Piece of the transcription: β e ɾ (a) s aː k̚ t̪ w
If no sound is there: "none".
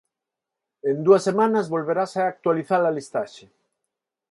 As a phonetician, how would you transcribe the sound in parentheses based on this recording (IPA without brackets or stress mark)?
a